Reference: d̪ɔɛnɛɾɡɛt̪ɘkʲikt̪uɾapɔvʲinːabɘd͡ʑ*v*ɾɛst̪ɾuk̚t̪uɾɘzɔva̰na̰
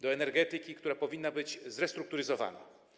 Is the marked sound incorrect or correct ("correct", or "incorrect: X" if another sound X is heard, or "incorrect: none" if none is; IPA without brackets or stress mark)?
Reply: incorrect: z